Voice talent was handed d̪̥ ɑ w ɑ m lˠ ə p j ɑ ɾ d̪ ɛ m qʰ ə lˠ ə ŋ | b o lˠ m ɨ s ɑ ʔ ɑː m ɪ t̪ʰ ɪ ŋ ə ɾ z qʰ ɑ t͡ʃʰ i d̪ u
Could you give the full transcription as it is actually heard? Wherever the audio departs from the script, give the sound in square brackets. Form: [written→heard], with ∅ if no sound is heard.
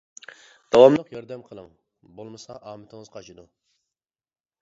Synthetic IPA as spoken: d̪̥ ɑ w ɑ m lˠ ə [p→q] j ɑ ɾ d̪ ɛ m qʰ ə lˠ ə ŋ | b o lˠ m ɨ s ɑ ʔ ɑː m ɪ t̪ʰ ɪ ŋ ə [ɾ→∅] z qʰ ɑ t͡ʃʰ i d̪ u